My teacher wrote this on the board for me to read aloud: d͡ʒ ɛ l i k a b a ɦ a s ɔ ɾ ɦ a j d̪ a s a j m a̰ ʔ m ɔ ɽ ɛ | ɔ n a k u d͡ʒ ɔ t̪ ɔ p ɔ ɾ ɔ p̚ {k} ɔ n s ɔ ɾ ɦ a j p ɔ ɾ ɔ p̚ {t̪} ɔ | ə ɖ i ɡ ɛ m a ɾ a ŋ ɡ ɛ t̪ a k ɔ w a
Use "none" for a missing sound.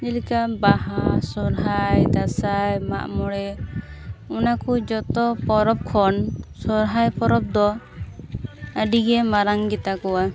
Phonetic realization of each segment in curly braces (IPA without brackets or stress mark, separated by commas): kʰ, d̪